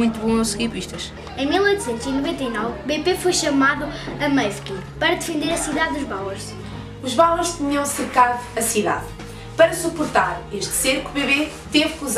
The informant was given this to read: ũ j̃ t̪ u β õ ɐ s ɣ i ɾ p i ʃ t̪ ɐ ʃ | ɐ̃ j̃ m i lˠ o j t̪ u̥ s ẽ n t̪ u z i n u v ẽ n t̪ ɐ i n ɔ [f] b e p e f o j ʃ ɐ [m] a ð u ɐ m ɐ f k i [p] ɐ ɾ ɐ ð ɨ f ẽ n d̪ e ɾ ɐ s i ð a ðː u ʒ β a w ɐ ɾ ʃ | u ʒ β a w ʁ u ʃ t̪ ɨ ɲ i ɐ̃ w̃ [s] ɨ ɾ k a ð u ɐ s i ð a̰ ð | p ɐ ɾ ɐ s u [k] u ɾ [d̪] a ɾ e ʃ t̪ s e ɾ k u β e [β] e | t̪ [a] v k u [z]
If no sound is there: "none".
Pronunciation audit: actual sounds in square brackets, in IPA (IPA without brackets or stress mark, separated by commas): v, m, p, s, p, t̪, β, e, z